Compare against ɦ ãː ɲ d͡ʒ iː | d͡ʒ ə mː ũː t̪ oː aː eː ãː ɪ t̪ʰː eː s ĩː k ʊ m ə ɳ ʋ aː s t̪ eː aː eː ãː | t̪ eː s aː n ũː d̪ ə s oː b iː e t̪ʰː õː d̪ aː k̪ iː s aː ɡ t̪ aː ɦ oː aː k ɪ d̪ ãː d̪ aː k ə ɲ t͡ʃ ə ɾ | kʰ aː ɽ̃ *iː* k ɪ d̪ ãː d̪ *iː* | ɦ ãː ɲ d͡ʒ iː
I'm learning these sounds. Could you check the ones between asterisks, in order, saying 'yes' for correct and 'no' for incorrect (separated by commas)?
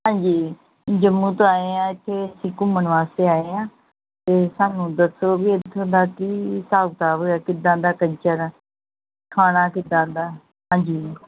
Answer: no, no